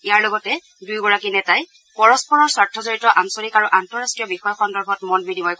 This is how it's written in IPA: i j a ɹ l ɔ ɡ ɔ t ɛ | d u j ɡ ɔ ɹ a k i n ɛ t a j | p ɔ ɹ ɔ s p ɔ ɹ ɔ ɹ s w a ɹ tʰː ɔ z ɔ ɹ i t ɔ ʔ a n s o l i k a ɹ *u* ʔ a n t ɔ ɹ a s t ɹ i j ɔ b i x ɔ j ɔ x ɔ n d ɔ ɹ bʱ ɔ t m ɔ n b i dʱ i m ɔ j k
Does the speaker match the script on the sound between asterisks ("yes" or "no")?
yes